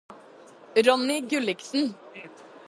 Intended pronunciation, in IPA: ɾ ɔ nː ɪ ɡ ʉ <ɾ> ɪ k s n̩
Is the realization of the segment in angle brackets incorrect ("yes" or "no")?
yes